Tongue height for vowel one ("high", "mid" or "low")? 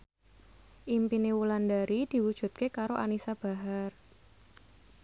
high